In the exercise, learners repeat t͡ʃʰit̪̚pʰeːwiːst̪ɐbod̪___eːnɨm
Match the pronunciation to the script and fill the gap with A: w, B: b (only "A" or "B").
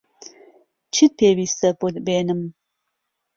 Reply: B